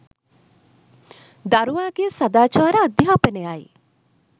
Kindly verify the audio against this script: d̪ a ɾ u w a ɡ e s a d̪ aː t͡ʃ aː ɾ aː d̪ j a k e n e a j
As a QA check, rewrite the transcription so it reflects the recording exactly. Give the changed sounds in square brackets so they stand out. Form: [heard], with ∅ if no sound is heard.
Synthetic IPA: d̪ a ɾ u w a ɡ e s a d̪ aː t͡ʃ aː ɾ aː d̪ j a [p] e n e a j